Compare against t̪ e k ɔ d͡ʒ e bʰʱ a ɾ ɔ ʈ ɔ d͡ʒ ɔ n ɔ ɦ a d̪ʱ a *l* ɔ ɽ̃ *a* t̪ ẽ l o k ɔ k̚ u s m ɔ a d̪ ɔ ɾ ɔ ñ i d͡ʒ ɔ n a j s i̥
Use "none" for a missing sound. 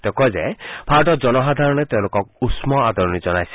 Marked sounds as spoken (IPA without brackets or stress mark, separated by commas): ɾ, e